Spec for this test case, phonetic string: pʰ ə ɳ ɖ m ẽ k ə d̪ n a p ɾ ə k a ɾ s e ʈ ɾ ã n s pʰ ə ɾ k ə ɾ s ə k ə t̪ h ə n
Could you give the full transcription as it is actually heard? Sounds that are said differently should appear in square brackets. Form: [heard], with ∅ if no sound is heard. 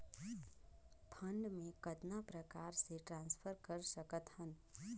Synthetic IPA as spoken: pʰ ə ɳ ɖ m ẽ k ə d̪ n a p ɾ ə k a ɾ s e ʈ ɾ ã n s pʰ ə ɾ k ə ɾ s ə k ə t̪ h ə n